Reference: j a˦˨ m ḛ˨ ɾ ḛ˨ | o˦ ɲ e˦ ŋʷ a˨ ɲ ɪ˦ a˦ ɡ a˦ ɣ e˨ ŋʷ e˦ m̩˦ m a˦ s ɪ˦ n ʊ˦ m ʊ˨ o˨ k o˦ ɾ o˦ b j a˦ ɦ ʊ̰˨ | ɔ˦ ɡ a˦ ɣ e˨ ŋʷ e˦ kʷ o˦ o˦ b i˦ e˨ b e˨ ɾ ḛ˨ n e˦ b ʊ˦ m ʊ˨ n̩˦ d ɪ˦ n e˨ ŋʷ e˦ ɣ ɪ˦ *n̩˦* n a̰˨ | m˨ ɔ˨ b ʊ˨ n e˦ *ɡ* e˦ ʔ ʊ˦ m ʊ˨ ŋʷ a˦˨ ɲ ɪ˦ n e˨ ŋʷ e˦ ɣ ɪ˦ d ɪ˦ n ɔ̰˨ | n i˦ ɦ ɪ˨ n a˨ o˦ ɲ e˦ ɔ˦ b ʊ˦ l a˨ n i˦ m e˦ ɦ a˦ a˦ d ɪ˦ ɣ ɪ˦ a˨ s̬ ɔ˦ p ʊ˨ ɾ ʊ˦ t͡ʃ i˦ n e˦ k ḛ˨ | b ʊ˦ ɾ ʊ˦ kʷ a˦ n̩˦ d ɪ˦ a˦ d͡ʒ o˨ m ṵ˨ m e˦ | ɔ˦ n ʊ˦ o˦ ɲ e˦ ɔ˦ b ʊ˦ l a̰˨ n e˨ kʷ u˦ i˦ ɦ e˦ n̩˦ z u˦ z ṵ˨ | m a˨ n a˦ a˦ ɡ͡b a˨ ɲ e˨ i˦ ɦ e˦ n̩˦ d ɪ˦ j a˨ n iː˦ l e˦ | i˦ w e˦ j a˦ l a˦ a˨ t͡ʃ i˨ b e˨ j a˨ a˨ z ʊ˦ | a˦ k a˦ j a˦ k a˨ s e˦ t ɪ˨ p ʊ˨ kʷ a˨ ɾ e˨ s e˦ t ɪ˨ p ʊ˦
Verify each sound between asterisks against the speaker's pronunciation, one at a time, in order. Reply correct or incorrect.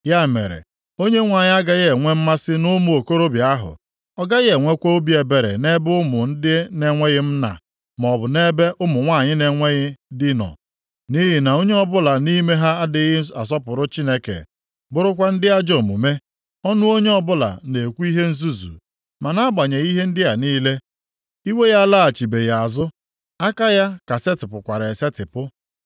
incorrect, incorrect

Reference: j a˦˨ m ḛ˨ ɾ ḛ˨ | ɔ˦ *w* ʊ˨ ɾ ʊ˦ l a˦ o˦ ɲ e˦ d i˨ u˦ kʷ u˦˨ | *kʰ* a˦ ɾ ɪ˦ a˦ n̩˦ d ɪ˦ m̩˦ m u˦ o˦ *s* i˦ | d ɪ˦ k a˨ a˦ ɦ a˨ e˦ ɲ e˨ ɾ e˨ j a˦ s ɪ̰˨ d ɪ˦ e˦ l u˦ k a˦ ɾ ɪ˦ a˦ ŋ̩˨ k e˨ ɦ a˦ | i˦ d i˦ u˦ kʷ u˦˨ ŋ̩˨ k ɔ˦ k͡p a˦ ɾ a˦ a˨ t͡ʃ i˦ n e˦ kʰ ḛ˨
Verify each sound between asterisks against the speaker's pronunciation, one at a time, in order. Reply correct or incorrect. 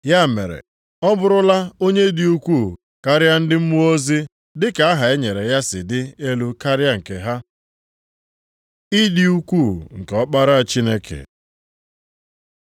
incorrect, incorrect, incorrect

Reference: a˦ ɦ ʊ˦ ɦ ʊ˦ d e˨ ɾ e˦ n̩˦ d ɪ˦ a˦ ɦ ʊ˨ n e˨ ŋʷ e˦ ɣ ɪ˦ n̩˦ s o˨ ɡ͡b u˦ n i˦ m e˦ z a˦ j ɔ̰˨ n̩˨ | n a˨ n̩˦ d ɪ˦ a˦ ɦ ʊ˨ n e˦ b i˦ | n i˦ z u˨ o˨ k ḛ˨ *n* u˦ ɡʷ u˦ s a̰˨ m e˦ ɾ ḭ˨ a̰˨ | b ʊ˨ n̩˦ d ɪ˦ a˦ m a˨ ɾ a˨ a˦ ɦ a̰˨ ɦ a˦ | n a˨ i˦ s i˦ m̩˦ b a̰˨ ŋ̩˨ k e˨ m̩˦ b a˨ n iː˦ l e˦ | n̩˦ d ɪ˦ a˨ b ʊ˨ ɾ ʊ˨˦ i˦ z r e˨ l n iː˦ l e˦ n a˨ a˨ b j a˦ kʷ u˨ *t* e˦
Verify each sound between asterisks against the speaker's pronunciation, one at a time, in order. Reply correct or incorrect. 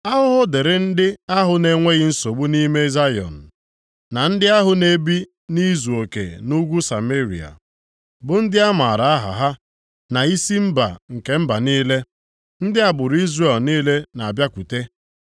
correct, correct

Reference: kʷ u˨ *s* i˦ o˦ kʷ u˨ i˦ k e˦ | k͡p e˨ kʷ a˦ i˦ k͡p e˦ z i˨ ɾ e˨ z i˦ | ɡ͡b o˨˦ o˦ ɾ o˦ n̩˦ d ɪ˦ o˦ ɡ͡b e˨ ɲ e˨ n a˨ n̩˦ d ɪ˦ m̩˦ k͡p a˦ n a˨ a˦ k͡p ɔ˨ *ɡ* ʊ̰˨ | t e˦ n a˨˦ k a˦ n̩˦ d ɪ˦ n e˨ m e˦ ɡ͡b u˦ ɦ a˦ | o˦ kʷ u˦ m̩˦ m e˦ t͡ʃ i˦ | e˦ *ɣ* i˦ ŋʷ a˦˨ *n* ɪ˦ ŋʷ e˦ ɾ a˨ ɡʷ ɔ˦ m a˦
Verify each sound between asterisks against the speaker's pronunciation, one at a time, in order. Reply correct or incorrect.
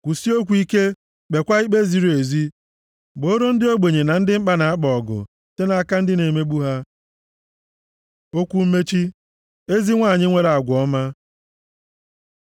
correct, correct, incorrect, incorrect

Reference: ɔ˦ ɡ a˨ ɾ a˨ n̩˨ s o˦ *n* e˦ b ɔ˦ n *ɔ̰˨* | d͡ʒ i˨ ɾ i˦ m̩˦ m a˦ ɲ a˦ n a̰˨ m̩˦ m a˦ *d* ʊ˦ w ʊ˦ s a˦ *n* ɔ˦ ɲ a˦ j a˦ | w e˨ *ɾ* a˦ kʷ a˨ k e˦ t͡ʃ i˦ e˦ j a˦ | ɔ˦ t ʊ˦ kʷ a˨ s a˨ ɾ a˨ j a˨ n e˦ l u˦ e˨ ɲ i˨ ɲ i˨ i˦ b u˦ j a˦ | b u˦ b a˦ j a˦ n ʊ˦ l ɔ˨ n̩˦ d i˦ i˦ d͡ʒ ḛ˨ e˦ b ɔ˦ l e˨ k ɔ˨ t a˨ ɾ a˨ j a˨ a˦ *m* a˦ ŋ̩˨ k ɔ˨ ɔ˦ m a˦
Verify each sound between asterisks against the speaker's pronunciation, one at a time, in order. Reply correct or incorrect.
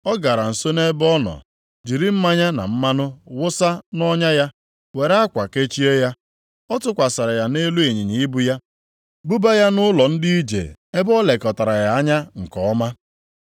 correct, correct, incorrect, correct, correct, incorrect

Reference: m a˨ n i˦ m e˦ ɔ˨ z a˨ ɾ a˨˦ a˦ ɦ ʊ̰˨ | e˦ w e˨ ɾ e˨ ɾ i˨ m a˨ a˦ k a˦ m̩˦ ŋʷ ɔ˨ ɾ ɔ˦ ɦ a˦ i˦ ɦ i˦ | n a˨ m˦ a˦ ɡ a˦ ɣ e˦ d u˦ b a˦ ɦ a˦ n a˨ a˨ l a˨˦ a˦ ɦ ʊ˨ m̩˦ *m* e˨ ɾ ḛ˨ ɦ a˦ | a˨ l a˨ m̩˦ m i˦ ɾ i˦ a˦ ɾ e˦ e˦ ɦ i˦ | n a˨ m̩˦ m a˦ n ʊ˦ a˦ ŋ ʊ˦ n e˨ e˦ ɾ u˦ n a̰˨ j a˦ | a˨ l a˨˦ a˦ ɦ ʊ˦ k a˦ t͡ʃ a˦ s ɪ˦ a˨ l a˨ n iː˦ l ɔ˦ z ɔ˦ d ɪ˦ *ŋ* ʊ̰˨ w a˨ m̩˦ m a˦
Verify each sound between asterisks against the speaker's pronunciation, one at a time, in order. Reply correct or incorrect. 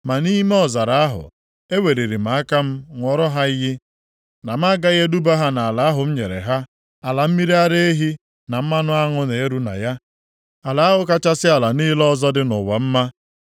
incorrect, incorrect

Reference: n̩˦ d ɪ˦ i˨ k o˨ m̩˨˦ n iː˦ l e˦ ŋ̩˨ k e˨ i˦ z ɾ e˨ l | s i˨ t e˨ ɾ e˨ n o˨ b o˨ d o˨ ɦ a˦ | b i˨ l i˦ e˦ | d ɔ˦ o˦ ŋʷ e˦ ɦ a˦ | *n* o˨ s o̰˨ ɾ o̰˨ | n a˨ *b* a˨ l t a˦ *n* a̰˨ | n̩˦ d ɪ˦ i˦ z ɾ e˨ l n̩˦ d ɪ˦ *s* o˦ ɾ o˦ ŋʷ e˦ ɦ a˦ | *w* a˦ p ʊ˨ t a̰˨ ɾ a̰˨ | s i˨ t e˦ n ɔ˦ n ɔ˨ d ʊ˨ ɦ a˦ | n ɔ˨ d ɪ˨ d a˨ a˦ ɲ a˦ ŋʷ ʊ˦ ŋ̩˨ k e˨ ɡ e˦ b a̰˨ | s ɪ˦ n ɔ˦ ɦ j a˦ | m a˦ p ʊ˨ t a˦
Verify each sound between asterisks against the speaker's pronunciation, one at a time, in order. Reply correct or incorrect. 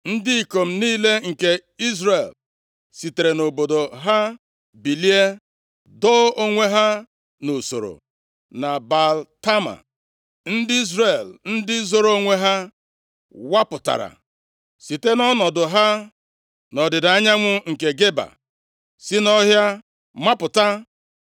correct, correct, incorrect, incorrect, correct

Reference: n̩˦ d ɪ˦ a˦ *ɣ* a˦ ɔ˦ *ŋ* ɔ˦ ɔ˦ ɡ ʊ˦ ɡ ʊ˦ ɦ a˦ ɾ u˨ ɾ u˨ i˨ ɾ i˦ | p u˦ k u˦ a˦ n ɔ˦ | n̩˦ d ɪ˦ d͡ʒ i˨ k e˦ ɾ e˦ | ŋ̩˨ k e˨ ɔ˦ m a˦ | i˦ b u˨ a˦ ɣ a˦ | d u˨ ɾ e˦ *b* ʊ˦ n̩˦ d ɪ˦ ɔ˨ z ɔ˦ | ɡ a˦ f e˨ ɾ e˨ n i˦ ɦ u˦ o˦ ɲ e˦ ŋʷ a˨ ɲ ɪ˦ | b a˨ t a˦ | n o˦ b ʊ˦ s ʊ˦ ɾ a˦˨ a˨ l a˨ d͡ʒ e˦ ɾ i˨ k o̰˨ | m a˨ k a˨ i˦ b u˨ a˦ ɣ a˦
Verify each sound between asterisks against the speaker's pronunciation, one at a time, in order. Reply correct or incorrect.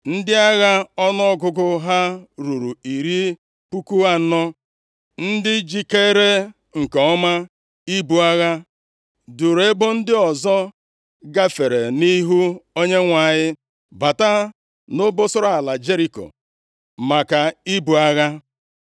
correct, incorrect, correct

